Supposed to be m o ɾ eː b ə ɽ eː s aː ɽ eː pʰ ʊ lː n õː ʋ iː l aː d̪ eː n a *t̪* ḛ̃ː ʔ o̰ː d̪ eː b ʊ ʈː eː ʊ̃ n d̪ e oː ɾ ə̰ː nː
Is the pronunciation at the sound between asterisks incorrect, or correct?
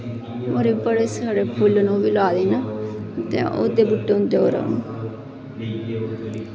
correct